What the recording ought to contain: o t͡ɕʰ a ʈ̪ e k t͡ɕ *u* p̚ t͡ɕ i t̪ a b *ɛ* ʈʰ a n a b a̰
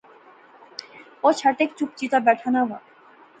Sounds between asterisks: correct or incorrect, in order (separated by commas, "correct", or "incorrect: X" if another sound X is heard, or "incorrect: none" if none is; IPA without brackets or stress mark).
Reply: correct, correct